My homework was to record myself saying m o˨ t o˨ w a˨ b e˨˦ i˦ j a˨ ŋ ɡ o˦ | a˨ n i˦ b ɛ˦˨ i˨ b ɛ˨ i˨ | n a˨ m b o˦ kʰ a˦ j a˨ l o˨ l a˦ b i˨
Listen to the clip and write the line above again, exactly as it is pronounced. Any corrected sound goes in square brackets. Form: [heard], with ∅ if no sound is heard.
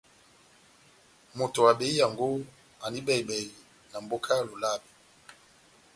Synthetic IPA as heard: m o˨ t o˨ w a˨ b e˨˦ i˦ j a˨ ŋ ɡ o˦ | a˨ n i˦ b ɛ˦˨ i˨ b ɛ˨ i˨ | n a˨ m b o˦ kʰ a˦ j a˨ l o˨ l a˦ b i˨

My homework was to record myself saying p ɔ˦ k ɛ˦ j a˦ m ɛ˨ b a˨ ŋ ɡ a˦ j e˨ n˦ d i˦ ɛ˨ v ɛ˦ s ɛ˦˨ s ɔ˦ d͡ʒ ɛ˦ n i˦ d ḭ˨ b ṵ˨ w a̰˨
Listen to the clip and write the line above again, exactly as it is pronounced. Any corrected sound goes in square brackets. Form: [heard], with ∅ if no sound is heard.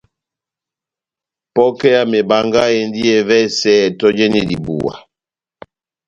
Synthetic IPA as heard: p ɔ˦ k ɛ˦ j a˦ m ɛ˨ b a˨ ŋ ɡ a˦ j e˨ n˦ d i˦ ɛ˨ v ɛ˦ s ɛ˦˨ [t] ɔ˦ d͡ʒ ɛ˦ n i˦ d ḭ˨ b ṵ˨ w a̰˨

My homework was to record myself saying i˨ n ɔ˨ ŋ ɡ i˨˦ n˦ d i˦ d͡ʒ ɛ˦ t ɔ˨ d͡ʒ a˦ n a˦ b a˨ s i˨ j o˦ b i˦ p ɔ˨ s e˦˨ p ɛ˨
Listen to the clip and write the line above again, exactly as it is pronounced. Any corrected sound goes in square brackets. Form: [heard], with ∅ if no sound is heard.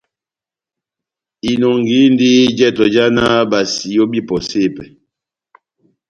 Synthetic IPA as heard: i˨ n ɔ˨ ŋ ɡ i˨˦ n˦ d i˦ d͡ʒ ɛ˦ t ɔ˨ d͡ʒ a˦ n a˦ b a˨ s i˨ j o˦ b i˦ p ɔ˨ s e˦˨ p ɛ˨

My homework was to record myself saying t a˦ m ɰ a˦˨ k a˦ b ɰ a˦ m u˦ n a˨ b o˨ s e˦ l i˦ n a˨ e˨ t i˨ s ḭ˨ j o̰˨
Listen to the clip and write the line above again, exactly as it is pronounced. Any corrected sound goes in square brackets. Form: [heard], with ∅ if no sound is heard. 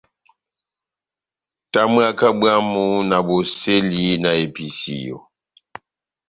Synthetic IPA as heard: t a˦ m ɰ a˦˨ k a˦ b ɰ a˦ m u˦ n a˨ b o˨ s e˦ l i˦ n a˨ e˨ [p] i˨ s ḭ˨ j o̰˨

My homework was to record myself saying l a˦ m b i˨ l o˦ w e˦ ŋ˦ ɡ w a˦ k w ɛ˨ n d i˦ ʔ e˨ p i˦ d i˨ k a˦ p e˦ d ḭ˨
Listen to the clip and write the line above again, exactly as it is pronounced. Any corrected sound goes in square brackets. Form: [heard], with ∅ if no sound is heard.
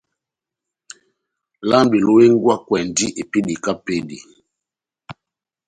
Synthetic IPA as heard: l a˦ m b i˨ l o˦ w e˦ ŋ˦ ɡ w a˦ k w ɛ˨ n d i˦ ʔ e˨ p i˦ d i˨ k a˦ p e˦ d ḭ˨

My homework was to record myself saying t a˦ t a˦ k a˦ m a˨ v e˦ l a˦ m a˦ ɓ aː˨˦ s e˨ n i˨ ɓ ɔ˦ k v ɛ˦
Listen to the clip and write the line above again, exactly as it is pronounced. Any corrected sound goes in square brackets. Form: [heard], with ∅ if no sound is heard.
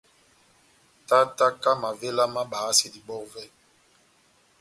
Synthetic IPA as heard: t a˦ t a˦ k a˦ m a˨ v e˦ l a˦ m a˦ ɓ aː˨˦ s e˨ [d] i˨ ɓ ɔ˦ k v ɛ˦

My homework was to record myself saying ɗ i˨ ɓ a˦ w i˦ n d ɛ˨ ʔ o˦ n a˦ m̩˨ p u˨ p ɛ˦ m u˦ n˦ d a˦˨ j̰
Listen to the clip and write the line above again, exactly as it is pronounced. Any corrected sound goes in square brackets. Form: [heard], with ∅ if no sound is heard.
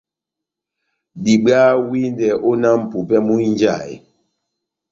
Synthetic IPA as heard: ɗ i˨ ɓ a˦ w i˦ n d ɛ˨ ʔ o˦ n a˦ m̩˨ p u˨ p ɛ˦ m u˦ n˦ [d͡ʒ] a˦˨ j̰

